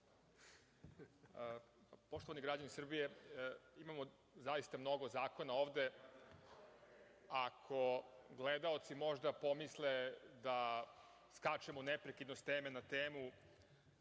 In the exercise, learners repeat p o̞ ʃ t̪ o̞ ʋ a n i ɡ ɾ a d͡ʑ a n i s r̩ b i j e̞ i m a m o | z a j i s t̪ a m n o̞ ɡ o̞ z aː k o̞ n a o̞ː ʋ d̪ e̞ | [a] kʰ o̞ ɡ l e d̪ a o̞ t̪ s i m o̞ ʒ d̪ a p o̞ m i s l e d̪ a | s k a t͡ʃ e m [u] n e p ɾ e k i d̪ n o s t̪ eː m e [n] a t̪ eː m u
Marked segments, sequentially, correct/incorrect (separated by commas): correct, incorrect, correct